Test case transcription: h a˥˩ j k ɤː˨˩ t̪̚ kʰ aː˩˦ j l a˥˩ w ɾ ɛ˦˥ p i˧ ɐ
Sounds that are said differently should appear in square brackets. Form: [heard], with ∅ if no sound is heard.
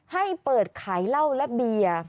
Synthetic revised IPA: h a˥˩ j [p] ɤː˨˩ t̪̚ kʰ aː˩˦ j l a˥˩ w [l] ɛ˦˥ [b] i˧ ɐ

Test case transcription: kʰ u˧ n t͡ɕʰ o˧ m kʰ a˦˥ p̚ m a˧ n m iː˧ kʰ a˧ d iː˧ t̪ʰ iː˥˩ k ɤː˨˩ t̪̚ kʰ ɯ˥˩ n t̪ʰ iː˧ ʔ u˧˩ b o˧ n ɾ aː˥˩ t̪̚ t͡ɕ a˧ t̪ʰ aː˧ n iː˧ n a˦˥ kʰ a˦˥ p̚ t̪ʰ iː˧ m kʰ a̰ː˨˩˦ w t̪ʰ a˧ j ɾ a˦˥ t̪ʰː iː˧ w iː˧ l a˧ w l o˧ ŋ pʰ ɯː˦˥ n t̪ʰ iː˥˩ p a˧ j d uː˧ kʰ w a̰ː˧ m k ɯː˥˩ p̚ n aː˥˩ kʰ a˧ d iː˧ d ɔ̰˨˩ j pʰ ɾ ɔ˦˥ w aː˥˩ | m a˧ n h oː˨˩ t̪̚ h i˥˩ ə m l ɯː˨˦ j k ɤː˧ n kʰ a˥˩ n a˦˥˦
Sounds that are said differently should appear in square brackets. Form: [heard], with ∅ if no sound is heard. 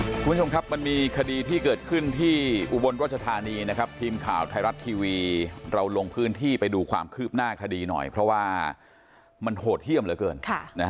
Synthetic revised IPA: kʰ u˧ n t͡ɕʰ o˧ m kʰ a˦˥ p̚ m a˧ n m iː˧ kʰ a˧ d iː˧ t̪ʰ iː˥˩ k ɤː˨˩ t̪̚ kʰ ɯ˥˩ n t̪ʰ [iː˥˩] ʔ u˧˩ b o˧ n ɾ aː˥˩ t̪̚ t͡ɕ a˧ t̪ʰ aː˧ n iː˧ n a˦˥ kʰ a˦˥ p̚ t̪ʰ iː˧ m kʰ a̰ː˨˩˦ w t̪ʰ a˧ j ɾ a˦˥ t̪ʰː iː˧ w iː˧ [ɾ] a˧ w l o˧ ŋ pʰ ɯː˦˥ n t̪ʰ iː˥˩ p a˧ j d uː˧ kʰ w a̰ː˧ m [kʰ] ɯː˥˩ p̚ n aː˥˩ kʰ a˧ d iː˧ [n] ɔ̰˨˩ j pʰ ɾ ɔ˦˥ w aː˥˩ | m a˧ n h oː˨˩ t̪̚ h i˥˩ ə m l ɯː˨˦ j k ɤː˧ n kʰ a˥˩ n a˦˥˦

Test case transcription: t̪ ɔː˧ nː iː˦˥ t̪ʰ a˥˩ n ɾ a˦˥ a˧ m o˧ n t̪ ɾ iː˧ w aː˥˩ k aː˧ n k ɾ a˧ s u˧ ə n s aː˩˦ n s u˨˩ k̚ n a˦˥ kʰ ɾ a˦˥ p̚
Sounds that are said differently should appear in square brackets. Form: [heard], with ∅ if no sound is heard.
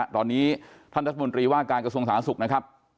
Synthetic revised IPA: t̪ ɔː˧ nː iː˦˥ t̪ʰ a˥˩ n ɾ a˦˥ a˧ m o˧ n t̪ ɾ iː˧ w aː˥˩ k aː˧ n k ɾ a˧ s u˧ ə [ŋ] s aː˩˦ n s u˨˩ k̚ n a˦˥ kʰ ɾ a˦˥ p̚

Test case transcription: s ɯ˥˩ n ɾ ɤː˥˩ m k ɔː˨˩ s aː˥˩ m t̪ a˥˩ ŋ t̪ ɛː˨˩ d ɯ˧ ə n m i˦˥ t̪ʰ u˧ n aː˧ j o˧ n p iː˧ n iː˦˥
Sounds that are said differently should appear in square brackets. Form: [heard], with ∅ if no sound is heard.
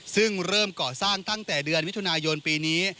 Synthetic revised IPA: s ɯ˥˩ [ŋ] ɾ ɤː˥˩ m k ɔː˨˩ s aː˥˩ [ŋ] t̪ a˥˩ ŋ t̪ ɛː˨˩ d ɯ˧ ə n m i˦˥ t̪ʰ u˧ n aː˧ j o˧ n p iː˧ n iː˦˥

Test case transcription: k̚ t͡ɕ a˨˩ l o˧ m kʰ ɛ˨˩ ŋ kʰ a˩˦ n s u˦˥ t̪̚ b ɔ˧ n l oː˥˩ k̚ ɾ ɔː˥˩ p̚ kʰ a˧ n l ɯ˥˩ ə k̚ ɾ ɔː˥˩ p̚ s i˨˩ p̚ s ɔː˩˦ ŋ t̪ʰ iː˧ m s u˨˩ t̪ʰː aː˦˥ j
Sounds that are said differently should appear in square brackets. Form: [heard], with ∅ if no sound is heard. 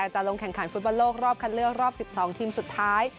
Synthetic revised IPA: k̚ t͡ɕ a˨˩ l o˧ [ŋ] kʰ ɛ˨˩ ŋ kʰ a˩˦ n [f] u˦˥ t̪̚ b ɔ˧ n l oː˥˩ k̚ ɾ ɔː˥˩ p̚ kʰ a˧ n l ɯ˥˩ ə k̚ ɾ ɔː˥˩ p̚ s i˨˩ p̚ s ɔː˩˦ ŋ t̪ʰ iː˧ m s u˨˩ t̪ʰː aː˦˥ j

